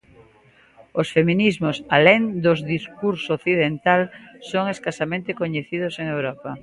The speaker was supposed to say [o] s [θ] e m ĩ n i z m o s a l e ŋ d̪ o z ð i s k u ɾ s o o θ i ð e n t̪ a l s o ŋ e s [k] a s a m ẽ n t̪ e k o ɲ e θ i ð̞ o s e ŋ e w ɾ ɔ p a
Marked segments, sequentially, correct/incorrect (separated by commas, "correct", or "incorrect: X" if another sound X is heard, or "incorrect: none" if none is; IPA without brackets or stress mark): correct, incorrect: f, correct